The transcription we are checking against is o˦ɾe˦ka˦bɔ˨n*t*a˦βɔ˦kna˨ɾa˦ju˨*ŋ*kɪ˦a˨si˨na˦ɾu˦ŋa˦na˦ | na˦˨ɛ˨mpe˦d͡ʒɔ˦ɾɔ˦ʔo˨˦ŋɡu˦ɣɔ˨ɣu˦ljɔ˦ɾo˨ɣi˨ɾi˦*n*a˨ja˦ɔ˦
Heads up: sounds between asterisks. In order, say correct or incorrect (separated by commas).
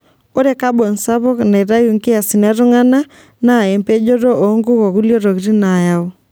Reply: incorrect, correct, correct